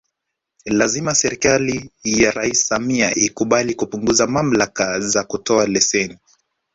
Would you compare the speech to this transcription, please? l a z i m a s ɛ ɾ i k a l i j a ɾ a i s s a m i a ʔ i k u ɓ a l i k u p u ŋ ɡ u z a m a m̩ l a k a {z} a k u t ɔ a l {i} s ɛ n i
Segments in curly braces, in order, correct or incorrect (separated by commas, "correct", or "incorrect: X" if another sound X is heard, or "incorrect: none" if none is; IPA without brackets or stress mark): correct, incorrect: ɛ